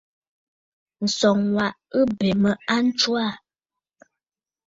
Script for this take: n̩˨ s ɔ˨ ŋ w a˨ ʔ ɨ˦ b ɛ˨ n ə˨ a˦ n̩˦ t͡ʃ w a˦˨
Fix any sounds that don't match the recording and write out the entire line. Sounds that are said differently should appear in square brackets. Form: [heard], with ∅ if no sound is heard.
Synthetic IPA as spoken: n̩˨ s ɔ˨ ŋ w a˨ ʔ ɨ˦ b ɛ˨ [m] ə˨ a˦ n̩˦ t͡ʃ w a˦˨

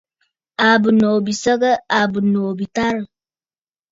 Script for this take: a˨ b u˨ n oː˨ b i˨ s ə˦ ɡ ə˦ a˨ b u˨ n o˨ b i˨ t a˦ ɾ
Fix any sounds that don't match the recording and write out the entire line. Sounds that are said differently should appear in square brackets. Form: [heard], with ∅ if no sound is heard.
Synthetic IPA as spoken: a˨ b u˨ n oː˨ b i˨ s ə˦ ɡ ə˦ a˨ b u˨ n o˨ b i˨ t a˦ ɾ

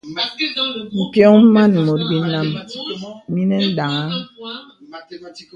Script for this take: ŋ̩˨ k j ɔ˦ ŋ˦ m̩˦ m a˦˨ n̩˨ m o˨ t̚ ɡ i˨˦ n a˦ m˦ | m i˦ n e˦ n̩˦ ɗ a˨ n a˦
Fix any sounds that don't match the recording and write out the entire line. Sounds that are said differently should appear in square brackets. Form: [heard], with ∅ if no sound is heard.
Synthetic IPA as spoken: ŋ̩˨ k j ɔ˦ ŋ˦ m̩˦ m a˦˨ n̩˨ m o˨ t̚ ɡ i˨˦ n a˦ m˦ | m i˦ n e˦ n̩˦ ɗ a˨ [ŋ] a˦

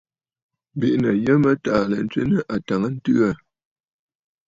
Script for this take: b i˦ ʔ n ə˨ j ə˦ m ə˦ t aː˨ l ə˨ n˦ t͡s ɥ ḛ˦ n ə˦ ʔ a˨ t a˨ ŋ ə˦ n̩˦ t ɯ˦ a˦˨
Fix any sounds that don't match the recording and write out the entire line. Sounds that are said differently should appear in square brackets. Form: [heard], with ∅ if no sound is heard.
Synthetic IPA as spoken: b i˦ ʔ n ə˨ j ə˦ m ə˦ t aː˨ l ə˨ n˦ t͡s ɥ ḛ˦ n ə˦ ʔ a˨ t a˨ ŋ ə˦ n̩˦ t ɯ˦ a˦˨

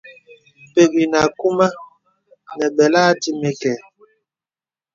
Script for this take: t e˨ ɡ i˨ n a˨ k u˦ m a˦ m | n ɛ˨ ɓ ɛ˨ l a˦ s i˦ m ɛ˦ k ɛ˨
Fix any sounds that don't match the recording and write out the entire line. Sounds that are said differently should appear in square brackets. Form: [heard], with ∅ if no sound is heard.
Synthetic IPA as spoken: [p] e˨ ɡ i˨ n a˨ k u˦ m a˦ [∅] | n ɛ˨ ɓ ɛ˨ l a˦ [t] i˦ m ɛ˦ k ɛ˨

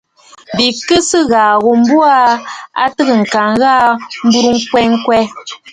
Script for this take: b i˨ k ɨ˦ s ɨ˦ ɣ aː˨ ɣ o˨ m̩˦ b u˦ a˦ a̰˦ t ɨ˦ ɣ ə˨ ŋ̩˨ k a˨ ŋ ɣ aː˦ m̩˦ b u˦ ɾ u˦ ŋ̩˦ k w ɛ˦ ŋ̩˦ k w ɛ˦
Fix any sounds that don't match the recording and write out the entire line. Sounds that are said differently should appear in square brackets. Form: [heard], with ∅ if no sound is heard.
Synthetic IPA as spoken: b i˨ k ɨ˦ s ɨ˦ ɣ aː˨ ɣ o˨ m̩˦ b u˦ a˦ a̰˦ t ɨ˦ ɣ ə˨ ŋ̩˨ k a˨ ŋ ɣ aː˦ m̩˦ b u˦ ɾ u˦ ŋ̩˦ k w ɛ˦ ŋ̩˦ k w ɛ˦

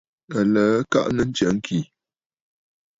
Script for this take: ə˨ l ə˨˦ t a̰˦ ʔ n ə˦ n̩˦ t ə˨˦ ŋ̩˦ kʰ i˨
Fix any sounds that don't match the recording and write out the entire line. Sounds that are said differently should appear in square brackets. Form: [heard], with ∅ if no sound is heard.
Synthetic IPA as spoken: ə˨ l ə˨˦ [k] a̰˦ ʔ n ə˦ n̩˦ [t͡ʃ] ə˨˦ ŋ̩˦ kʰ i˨

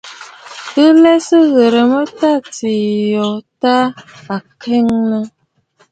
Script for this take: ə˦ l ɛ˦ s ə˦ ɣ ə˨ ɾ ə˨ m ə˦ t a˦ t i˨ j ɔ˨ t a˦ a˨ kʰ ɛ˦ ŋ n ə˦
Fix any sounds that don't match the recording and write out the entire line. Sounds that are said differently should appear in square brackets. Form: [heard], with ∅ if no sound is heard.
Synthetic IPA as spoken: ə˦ l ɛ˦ s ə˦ ɣ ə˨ ɾ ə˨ m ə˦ t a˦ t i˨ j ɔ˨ t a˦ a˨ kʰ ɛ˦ ŋ n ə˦

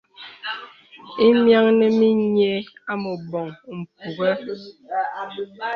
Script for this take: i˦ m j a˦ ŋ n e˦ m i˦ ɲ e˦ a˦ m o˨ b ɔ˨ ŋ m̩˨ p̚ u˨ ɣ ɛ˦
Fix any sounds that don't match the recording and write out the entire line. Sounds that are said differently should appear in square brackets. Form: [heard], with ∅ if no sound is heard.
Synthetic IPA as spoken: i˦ m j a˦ ŋ n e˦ m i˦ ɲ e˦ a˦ m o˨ b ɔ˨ ŋ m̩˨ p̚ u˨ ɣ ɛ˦

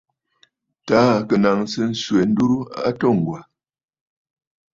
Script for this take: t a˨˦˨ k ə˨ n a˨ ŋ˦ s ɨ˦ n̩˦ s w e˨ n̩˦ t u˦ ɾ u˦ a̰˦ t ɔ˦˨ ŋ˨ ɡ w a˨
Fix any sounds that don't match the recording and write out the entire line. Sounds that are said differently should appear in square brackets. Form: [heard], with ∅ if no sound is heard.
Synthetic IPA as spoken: t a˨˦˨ k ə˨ n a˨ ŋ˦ s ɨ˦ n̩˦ s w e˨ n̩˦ [d] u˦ ɾ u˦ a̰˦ t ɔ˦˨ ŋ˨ ɡ w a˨

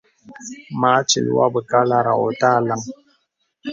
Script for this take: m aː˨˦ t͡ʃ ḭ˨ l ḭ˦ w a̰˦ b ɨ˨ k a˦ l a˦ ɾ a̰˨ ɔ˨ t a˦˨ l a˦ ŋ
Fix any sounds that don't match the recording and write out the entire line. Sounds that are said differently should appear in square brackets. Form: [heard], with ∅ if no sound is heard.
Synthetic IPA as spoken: m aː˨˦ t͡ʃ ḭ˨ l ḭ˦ w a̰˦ b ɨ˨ k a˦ l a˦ ɾ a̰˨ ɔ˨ t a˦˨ l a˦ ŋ

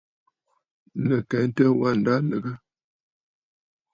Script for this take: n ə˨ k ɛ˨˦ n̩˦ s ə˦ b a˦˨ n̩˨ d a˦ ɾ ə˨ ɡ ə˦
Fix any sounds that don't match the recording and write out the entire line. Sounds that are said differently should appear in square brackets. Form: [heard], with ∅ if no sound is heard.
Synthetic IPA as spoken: n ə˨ k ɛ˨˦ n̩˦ [t] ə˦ [w] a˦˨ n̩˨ d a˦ [l] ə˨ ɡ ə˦

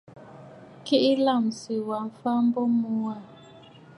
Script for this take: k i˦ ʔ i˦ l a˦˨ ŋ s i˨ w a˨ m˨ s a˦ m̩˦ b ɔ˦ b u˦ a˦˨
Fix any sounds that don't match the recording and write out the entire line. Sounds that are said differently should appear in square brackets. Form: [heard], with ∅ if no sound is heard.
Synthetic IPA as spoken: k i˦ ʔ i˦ l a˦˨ [m] s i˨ w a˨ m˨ [f] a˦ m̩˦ b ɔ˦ [m] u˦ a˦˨

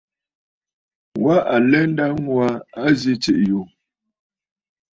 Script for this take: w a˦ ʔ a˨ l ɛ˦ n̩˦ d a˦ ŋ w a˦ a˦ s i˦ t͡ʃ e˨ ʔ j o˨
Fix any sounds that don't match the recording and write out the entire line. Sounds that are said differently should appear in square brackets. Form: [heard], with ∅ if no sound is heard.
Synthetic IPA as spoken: w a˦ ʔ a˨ l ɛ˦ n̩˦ d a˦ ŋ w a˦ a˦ [z] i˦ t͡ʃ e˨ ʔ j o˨

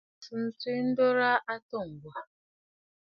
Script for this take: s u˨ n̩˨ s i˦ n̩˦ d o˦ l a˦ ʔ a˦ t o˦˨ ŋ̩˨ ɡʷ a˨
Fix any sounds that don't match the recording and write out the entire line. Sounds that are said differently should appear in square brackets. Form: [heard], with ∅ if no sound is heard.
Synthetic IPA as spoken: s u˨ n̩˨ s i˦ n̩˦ d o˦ [ɾ] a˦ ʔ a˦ t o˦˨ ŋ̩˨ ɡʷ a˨

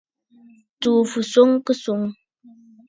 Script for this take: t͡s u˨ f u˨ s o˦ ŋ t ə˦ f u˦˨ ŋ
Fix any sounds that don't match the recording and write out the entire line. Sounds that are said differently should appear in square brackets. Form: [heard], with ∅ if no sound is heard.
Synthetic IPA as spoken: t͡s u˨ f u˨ s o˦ ŋ [k] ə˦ [s] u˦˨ ŋ

